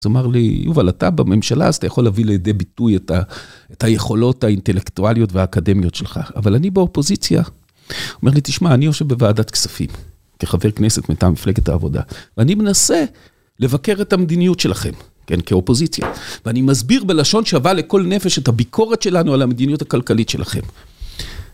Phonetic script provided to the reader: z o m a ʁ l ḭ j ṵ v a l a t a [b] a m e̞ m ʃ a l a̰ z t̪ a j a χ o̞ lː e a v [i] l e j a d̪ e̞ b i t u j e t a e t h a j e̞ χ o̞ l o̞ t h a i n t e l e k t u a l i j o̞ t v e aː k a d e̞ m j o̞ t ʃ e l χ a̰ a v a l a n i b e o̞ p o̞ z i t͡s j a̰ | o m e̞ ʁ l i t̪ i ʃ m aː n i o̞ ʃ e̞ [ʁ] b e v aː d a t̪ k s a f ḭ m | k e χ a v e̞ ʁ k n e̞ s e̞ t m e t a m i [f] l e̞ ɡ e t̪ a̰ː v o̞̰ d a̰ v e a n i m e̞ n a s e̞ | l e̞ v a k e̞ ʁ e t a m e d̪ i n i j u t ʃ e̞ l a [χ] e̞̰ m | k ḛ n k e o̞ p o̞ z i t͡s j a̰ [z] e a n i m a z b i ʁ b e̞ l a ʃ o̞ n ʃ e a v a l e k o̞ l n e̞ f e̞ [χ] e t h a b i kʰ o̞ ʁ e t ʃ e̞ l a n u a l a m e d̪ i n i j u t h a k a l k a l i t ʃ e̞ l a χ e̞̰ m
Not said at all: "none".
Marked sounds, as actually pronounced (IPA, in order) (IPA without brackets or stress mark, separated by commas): b, i, v, f, χ, v, ʃ